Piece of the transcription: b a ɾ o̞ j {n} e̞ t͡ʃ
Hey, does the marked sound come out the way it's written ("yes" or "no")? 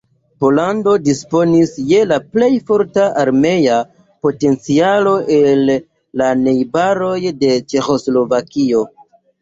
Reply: no